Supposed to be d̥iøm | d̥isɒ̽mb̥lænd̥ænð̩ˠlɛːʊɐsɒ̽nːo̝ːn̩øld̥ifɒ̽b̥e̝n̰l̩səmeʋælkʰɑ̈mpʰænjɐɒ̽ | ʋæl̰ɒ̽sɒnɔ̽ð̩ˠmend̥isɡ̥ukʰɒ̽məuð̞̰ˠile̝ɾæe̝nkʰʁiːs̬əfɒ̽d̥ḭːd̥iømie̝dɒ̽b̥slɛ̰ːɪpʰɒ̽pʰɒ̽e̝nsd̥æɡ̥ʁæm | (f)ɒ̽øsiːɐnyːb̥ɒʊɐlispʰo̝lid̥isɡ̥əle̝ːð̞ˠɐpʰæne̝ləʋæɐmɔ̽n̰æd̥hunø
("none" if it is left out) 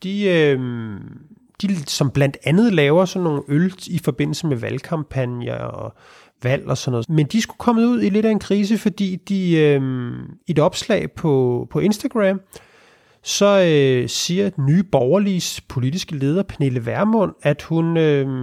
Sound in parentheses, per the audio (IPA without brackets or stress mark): s